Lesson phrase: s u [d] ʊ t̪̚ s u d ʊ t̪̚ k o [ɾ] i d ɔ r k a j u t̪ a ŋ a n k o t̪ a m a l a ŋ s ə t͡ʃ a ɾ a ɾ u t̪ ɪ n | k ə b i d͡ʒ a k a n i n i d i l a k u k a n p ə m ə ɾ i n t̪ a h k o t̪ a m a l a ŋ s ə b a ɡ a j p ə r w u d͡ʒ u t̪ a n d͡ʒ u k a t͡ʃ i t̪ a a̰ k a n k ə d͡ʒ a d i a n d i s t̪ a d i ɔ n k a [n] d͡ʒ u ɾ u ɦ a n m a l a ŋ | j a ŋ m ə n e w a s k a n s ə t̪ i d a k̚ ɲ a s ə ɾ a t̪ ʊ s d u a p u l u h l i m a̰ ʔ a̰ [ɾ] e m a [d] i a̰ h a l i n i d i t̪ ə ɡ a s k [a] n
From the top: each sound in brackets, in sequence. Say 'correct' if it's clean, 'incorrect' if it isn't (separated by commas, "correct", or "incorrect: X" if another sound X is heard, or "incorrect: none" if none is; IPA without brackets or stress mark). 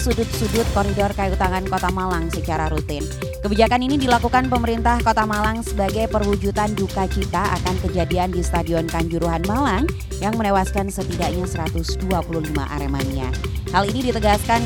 correct, correct, incorrect: ɲ, correct, incorrect: n, correct